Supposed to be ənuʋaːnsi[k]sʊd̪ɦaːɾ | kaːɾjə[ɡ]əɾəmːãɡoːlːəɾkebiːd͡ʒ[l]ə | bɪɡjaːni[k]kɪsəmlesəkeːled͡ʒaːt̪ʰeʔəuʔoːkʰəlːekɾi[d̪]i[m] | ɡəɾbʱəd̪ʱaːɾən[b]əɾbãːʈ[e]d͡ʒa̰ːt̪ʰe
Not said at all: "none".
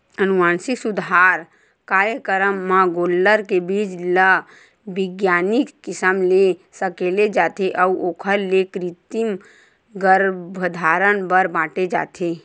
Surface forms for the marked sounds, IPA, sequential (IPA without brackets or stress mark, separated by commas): k, k, l, k, t̪, m, b, e